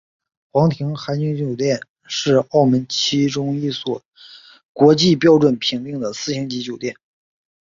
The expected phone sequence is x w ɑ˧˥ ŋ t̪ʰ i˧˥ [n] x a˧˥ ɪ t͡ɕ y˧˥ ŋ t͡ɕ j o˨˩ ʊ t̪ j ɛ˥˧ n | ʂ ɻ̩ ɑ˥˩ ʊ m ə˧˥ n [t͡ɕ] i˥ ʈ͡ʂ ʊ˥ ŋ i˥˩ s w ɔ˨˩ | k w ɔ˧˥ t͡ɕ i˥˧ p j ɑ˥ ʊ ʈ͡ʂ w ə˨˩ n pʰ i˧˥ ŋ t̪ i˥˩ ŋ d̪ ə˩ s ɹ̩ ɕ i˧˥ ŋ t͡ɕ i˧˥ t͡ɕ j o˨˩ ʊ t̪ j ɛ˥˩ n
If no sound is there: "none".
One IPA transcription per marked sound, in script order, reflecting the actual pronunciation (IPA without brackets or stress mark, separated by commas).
ŋ, t͡ɕʰ